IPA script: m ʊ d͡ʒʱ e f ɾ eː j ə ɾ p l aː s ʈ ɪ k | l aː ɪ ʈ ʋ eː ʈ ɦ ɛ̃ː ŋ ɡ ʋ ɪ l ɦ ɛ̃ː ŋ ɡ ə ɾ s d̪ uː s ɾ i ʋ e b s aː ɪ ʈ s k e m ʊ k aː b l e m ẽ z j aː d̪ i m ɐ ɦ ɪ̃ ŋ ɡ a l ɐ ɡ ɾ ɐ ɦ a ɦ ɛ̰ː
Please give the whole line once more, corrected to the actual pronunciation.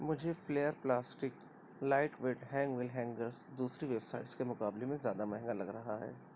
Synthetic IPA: m ʊ d͡ʒʱ e f l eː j ə ɾ p l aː s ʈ ɪ k | l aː ɪ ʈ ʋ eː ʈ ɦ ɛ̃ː ŋ ɡ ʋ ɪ l ɦ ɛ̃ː ŋ ɡ ə ɾ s d̪ uː s ɾ i ʋ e b s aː ɪ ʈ s k e m ʊ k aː b l e m ẽ z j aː d̪ a m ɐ ɦ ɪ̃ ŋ ɡ a l ɐ ɡ ɾ ɐ ɦ a ɦ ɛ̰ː